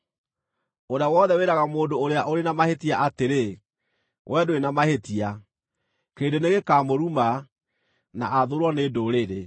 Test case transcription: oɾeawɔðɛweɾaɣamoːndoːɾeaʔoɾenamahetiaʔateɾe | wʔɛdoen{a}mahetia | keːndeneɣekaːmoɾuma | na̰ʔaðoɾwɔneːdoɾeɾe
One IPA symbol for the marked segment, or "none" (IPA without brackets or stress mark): a